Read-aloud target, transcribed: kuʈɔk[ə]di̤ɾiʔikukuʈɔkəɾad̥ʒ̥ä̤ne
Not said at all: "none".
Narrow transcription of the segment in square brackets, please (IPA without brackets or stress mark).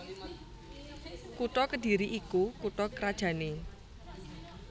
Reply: ə